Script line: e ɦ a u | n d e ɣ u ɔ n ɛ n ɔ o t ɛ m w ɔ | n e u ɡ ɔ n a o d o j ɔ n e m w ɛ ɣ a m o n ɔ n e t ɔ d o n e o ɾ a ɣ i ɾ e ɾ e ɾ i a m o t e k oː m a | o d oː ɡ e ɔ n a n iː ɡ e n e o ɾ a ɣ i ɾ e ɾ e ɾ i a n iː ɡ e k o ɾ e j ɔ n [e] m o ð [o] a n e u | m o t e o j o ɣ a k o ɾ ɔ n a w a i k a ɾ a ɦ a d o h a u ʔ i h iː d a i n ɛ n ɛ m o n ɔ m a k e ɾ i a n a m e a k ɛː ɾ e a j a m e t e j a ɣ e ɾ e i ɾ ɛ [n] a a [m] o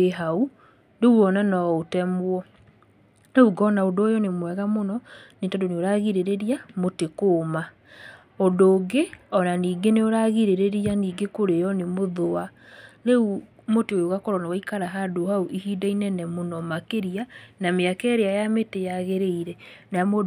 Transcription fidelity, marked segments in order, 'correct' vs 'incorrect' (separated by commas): correct, correct, correct, correct